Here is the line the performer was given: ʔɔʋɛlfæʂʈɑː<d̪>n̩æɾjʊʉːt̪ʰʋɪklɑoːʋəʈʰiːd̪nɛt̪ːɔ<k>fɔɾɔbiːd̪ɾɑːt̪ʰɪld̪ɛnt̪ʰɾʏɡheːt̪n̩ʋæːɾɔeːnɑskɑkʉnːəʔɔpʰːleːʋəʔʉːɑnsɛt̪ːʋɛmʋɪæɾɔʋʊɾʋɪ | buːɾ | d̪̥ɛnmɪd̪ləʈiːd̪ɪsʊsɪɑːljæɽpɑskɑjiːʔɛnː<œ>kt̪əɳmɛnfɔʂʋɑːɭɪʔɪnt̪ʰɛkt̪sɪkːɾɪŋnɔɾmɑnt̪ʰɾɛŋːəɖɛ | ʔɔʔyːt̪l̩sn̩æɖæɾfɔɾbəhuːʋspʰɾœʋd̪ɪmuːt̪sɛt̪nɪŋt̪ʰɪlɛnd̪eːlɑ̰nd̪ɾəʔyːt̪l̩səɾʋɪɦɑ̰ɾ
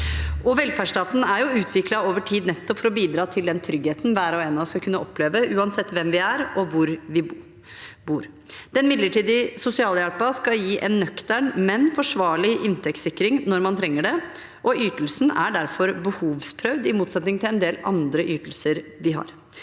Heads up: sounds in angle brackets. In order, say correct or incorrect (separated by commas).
incorrect, incorrect, correct